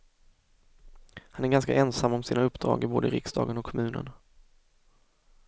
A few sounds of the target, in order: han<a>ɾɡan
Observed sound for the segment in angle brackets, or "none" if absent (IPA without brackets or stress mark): æ